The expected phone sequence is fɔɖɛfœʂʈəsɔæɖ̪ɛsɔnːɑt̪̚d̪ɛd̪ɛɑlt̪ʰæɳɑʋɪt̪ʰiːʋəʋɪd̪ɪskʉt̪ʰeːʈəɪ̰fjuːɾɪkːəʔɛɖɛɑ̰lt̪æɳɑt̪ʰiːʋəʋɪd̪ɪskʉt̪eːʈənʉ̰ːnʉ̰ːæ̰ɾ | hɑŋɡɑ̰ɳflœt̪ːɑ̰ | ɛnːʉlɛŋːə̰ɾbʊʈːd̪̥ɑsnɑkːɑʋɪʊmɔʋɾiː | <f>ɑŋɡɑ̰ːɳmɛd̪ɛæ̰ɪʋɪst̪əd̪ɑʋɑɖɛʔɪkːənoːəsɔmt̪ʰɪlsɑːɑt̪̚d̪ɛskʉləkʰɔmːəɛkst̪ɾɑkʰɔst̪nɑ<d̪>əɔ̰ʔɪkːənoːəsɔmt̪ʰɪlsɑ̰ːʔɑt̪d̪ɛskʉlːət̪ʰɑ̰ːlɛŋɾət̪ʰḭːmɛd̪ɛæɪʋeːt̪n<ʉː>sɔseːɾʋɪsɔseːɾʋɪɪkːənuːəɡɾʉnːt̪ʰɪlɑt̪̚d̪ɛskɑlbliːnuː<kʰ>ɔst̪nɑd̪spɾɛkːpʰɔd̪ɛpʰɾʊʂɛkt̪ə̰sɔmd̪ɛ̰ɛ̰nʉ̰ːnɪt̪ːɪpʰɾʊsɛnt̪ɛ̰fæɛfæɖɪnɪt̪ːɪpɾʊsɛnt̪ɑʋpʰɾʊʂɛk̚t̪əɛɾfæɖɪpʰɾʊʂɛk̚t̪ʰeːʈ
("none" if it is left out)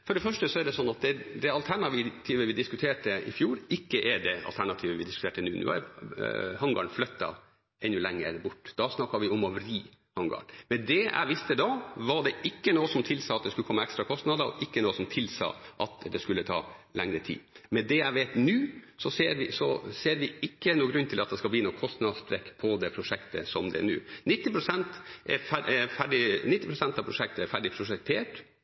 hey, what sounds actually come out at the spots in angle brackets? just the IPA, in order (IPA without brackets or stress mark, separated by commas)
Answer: h, d̪, ʉː, kʰ